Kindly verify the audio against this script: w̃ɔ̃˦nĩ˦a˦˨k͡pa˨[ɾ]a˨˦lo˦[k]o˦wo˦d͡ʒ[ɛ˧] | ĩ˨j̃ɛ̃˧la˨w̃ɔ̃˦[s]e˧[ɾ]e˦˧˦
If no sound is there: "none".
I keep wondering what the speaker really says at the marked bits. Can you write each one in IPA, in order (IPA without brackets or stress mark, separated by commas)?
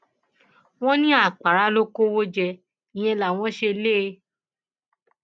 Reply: ɾ, k, ɛ˧, ʃ, l